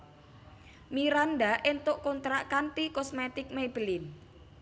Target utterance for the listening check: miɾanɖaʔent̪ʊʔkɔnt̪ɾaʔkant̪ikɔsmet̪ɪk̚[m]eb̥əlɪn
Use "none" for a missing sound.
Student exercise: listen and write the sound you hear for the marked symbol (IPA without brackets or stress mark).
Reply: m